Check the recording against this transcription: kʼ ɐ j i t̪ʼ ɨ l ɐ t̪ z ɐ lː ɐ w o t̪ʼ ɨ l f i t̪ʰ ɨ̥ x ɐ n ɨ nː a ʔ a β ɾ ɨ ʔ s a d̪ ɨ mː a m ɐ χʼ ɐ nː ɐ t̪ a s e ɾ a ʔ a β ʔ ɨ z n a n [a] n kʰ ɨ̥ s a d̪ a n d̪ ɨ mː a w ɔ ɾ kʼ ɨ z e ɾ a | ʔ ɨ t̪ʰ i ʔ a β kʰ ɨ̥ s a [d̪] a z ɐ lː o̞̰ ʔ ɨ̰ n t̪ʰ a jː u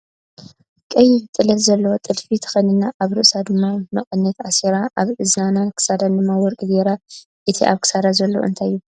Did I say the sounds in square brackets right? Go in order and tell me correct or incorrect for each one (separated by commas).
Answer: correct, correct